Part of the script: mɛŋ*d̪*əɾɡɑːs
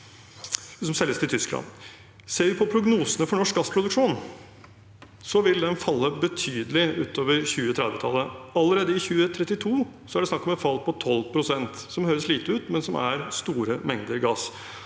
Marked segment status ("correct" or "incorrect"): correct